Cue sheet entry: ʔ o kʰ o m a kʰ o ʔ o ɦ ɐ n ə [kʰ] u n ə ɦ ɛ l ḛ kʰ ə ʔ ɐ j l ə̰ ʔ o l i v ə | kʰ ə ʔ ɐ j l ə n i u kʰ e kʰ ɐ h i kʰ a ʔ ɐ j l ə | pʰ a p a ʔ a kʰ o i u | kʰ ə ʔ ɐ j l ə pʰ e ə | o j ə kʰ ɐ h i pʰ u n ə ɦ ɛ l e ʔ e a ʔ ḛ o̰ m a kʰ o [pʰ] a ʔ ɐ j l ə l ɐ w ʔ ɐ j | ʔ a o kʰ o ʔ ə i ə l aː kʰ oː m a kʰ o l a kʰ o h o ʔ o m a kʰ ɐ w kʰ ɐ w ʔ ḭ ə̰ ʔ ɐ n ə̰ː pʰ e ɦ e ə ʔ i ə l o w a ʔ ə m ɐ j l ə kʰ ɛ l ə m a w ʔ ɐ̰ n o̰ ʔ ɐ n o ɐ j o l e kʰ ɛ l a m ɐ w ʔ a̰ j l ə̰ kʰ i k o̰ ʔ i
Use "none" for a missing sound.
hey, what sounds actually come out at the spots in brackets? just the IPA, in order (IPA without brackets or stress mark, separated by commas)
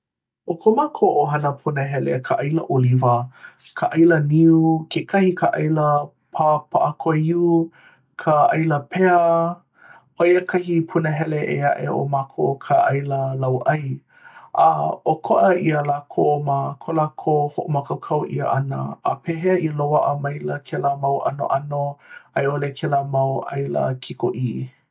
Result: pʰ, kʰ